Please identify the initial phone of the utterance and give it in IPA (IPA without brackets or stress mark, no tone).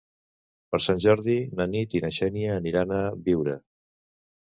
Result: p